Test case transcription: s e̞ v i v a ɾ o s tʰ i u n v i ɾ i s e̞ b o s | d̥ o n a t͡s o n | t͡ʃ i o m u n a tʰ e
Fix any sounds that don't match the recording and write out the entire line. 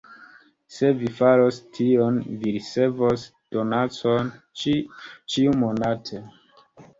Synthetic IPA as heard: s e̞ v i f a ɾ o s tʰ i o n v i ɾ i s e̞ v o s | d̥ o n a t͡s o n | t͡ʃ i u m o n a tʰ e